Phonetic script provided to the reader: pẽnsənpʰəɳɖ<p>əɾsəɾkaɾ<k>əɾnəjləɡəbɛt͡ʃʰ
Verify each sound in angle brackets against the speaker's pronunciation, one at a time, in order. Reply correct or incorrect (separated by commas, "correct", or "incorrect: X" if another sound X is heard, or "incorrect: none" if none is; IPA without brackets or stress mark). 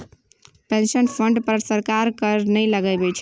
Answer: correct, correct